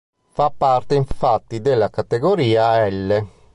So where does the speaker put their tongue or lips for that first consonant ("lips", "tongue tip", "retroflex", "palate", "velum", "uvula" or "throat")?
lips